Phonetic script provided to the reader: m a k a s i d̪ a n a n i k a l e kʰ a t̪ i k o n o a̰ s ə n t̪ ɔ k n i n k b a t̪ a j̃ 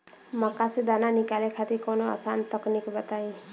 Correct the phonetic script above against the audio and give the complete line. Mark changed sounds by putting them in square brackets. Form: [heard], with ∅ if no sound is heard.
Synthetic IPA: m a k a s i d̪ a n a n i k a l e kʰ a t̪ i k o n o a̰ s [a] n t̪ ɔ k n i [∅] k b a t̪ a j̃